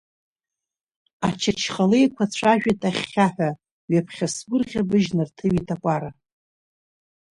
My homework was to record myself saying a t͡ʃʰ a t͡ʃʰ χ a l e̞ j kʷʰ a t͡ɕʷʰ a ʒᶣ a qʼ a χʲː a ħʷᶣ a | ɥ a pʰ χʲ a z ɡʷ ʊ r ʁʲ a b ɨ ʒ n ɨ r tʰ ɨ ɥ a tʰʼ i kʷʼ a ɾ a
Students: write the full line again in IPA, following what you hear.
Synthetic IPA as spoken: a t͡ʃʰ a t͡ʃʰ χ a l e̞ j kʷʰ a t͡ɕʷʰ a ʒᶣ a tʼ a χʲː a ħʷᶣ a | ɥ a pʰ χʲ a s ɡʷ ʊ r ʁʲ a b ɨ ʒ n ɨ r tʰ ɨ ɥ i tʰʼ a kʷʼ a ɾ a